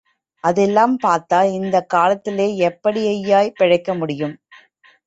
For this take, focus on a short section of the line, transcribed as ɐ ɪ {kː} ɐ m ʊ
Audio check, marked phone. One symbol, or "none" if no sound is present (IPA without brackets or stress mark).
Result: kː